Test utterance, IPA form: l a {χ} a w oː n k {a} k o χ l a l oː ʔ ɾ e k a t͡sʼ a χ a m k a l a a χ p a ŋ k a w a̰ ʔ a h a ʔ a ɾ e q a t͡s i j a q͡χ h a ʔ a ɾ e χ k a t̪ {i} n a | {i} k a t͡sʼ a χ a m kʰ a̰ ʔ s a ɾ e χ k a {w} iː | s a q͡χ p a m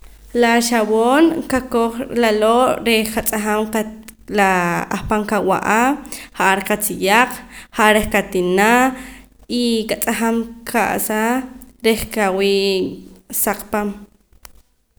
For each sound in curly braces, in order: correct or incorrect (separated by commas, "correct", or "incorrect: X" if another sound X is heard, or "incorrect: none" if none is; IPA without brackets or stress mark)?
incorrect: ʃ, correct, correct, correct, correct